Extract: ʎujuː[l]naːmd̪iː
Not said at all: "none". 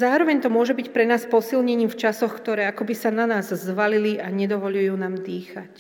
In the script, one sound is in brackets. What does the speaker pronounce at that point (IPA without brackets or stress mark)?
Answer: none